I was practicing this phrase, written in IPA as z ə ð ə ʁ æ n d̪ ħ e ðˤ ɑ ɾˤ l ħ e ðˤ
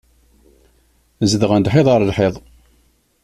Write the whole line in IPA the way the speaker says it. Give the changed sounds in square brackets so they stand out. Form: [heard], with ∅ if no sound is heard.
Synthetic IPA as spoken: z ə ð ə ʁ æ n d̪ ħ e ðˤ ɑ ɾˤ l ħ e ðˤ